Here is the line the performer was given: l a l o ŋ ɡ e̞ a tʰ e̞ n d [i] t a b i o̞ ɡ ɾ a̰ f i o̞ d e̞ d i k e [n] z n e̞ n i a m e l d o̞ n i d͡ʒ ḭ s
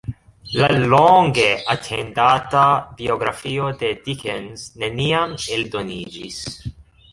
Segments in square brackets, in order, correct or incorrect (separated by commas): incorrect, correct